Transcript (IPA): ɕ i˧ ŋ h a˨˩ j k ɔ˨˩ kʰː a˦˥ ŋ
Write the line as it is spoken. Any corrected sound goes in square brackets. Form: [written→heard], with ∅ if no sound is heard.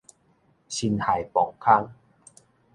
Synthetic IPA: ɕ i˧ [ŋ→n] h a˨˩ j [k→p] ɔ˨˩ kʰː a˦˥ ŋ